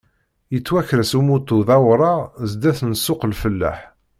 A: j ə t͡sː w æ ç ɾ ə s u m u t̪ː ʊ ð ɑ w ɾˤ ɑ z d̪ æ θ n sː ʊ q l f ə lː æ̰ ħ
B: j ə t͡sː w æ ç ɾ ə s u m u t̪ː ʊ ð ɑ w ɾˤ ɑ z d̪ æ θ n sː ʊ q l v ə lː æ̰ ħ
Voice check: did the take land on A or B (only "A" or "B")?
A